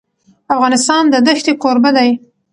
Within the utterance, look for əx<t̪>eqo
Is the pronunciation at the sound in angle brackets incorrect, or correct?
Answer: correct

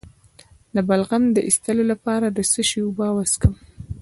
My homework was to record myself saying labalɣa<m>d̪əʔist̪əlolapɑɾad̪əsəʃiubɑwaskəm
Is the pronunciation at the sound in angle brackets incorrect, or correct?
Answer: correct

